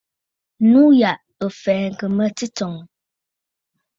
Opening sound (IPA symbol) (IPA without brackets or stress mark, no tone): n